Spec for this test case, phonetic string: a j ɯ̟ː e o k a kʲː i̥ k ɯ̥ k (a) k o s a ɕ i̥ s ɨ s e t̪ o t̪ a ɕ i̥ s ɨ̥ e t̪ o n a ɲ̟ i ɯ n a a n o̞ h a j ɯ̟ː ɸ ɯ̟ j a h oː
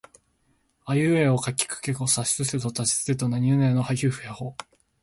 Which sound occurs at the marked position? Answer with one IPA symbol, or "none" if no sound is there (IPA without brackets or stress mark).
e